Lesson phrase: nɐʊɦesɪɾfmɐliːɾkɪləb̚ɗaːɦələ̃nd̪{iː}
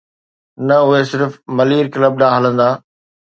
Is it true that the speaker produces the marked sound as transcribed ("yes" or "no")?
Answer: no